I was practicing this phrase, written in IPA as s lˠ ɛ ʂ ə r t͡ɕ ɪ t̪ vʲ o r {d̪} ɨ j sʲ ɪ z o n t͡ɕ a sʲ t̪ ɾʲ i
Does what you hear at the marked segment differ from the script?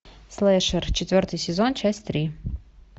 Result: yes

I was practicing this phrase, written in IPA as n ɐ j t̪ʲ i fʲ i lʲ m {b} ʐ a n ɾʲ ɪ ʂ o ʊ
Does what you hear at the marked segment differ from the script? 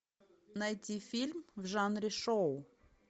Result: yes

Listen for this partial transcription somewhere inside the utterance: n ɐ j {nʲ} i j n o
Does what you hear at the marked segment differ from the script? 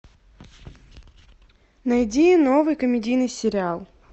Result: yes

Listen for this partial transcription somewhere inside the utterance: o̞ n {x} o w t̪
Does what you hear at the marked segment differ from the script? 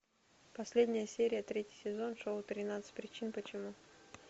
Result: yes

